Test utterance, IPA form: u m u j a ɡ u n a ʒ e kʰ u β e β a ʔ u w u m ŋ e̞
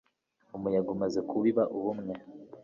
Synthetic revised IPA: u m u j a ɡ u m a z e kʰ u β i β a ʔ u β u m ŋ e̞